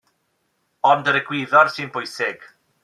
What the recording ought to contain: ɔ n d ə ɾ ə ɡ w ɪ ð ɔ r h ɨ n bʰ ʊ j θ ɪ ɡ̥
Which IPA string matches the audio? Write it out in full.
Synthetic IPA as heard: ɔ n d ə ɾ ə ɡ w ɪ ð ɔ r s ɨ n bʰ ʊ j s ɪ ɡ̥